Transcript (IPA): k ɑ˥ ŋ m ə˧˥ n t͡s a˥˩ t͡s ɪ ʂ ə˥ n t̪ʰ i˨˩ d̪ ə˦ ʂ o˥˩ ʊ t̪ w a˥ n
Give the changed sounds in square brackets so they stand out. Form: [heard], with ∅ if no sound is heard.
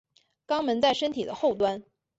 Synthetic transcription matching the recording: k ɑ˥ ŋ m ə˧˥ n t͡s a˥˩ [∅] ɪ ʂ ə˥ n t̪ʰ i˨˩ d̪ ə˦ [x] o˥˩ ʊ t̪ w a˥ n